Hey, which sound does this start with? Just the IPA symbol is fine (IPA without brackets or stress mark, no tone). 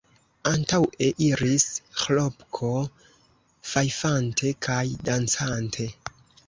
a